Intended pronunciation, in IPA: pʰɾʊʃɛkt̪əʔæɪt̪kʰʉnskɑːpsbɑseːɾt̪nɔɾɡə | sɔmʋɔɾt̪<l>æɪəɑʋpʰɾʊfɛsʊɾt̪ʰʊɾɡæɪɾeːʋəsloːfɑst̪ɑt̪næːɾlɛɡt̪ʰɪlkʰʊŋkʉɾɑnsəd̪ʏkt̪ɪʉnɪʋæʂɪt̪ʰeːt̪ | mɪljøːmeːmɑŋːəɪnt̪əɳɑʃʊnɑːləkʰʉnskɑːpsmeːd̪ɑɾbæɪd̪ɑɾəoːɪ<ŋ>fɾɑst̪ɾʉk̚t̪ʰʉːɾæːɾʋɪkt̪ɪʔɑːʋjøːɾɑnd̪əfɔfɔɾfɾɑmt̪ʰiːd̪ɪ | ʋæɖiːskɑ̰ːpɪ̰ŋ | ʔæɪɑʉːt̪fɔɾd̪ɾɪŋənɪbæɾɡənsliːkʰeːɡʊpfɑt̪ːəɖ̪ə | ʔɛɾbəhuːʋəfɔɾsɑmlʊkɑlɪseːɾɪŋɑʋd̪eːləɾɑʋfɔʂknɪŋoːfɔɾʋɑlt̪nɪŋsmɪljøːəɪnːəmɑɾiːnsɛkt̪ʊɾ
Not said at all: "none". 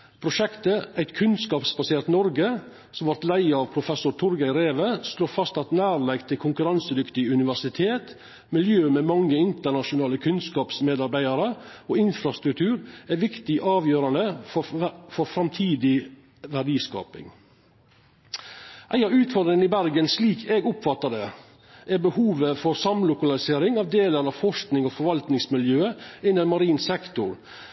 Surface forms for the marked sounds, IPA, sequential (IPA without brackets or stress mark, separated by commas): l, n